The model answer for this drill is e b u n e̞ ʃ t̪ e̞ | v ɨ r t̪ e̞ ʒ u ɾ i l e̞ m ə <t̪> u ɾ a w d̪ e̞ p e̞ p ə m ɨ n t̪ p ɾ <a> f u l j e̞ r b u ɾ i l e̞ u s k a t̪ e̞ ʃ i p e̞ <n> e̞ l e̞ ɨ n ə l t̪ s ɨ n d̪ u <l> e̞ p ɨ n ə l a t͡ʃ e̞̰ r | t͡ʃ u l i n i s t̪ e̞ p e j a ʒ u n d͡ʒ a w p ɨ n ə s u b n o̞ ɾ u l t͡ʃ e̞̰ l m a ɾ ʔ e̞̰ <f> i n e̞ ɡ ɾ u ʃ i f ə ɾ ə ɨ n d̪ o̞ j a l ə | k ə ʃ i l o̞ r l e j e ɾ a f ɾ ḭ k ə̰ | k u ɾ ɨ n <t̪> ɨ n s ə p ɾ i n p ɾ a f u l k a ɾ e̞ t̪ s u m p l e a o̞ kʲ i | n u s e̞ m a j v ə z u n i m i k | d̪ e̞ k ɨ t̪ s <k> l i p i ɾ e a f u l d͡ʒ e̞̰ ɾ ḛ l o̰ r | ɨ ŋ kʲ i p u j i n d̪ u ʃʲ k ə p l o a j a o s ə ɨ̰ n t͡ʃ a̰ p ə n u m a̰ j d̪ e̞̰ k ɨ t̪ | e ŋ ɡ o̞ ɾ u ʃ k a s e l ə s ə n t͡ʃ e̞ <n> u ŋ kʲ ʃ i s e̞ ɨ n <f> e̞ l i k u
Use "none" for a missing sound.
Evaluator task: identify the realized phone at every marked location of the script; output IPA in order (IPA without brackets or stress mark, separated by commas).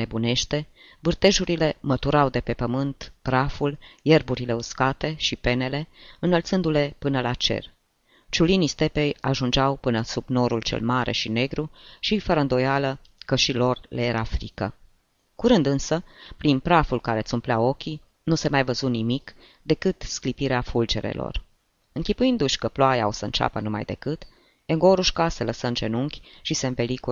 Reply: t̪, a, n, l, ʃ, d̪, k, n, v